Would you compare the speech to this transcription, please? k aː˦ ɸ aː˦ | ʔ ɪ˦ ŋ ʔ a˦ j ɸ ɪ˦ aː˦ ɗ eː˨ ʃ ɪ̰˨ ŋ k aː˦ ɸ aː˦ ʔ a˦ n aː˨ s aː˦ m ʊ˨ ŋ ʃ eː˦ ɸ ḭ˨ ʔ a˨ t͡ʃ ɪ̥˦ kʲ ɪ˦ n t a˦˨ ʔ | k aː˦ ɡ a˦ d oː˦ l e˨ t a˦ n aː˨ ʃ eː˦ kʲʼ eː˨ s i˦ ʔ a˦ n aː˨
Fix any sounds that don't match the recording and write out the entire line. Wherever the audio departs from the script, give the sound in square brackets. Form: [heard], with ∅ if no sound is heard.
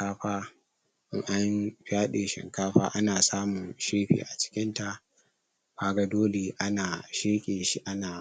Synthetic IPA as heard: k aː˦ ɸ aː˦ | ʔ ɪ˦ ŋ ʔ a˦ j ɸ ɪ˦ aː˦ ɗ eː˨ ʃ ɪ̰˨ ŋ k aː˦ ɸ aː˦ ʔ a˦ n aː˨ s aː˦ m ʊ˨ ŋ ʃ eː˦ ɸ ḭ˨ ʔ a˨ t͡ʃ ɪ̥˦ kʲ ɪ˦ n t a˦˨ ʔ | k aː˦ ɡ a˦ d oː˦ l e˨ [ʔ] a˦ n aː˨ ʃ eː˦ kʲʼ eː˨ [ʃ] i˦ ʔ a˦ n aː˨